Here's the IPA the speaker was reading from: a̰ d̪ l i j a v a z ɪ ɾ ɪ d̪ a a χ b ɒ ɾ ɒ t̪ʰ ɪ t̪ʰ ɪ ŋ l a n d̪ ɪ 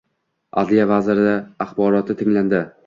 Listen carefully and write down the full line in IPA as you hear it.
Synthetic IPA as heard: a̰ d̪ l i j a v a z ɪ ɾ ɪ d̪ a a χ b ɒ ɾ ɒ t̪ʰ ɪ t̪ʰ ɪ ŋ l a n d̪ ɪ